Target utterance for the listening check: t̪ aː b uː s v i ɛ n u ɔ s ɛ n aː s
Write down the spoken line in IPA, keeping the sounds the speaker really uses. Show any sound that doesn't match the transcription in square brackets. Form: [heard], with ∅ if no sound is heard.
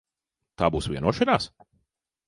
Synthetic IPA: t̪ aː b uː s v i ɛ n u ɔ [ʃ] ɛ n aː s